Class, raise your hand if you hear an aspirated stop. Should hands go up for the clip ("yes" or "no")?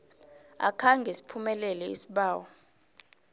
yes